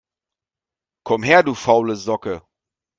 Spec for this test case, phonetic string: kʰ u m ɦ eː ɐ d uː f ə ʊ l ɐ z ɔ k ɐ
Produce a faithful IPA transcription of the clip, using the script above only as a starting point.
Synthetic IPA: kʰ ɔ m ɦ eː ɐ d uː f a ʊ l ə z ɔ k ə